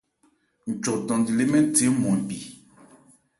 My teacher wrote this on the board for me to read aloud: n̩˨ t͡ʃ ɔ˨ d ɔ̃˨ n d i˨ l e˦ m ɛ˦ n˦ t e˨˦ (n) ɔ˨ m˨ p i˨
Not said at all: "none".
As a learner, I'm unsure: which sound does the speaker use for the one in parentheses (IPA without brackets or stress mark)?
m